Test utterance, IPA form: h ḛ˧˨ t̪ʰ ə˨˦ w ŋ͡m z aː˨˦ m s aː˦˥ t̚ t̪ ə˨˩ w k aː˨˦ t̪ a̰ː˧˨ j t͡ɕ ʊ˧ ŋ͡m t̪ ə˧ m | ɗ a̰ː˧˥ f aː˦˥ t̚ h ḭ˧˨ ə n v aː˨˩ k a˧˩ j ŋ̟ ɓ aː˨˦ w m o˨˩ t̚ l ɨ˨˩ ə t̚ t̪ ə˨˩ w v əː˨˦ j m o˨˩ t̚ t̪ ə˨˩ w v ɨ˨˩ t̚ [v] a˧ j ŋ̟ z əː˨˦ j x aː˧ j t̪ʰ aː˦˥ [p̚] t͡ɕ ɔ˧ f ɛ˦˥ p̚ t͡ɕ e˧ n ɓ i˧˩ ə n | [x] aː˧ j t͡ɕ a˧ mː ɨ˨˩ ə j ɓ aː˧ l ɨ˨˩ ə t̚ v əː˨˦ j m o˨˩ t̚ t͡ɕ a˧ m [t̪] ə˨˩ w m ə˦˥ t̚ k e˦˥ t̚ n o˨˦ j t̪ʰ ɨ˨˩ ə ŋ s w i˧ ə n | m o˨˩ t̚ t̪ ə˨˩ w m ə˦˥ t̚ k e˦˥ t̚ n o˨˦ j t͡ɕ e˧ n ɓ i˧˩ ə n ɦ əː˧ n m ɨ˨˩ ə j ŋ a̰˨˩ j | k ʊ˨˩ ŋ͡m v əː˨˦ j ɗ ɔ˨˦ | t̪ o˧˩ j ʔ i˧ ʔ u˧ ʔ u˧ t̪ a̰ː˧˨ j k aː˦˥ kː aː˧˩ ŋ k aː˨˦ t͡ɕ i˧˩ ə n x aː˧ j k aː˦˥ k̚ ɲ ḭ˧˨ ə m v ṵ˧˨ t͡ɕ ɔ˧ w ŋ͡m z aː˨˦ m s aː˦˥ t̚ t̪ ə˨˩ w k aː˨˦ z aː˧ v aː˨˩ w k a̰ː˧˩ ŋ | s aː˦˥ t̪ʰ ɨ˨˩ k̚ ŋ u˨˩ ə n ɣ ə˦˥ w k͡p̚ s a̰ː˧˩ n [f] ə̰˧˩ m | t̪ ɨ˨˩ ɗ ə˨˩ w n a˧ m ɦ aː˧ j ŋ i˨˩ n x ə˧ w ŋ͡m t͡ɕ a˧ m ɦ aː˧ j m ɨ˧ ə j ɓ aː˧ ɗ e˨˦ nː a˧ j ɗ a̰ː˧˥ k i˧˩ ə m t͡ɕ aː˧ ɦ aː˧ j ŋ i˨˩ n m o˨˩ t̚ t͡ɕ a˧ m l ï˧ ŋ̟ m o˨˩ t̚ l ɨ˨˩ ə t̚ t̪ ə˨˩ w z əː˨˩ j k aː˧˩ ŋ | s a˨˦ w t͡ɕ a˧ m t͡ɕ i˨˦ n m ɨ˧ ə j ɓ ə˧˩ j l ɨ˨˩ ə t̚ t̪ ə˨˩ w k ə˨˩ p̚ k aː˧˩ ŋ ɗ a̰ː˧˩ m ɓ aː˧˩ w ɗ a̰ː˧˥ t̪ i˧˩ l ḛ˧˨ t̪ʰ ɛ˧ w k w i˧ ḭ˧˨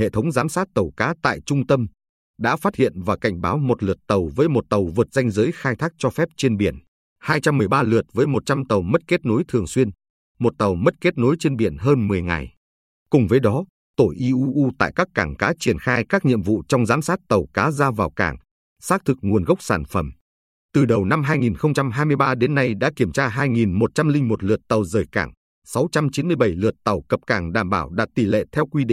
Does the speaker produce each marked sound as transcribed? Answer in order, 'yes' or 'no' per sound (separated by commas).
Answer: no, no, no, yes, yes